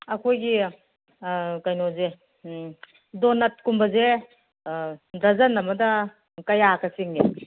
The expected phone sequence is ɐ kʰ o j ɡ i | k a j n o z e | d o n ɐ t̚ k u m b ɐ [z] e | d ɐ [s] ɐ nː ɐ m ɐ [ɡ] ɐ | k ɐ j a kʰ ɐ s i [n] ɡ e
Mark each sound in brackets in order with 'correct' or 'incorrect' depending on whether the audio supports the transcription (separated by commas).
correct, incorrect, incorrect, incorrect